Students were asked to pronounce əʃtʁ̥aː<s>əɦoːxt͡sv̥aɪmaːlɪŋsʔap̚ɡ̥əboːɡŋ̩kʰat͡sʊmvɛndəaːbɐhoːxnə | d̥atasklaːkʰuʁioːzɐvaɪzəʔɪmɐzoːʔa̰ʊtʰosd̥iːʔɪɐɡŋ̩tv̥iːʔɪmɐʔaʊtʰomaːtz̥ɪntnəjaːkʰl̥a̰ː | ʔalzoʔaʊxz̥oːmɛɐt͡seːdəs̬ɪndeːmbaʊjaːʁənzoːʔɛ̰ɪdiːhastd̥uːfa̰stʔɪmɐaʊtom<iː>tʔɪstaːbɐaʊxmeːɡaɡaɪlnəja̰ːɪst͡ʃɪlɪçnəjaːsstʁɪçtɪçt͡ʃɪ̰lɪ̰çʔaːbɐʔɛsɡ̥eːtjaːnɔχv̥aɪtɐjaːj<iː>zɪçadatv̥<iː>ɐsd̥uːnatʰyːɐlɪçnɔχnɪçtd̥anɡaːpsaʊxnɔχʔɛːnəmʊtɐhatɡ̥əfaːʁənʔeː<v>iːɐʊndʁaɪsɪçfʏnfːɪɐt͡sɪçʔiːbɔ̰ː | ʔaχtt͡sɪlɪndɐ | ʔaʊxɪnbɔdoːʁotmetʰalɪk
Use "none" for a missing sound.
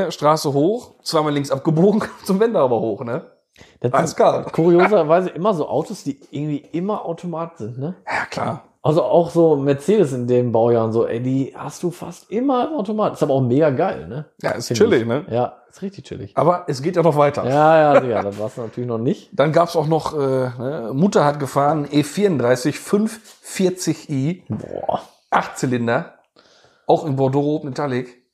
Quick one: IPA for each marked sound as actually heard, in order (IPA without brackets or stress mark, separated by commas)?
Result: s, aː, aː, aː, f